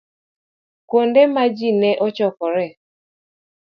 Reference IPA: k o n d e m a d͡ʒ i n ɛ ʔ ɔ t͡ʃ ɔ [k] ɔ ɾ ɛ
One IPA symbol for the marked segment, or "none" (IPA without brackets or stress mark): k